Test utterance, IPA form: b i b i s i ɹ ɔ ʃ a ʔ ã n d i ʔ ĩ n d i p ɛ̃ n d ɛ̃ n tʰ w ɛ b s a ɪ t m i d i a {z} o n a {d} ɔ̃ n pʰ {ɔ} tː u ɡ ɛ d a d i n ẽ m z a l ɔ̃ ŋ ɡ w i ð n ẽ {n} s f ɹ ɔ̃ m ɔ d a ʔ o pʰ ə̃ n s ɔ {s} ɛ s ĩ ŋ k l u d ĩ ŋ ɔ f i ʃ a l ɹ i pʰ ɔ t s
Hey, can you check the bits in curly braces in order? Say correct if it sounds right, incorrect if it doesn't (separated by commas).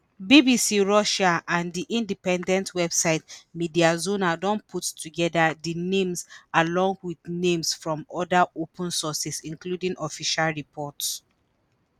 correct, correct, incorrect, incorrect, correct